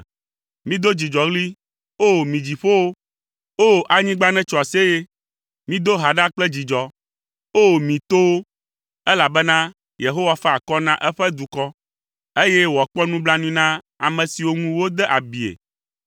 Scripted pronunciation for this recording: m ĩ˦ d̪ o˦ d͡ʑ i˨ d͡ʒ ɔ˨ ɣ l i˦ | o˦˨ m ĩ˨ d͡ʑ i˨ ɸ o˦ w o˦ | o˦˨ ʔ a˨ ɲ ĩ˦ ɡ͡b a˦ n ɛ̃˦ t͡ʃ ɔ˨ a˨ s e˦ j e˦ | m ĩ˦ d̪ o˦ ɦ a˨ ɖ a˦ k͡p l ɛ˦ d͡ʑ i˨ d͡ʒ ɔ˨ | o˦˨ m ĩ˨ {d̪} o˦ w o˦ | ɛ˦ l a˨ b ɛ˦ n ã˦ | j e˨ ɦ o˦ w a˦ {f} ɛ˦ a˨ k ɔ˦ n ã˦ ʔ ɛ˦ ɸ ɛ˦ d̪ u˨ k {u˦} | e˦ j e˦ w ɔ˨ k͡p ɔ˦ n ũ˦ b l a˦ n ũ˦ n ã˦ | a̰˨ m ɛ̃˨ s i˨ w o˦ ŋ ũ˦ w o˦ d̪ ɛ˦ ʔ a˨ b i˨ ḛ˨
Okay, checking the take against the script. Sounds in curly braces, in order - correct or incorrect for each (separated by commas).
incorrect, correct, incorrect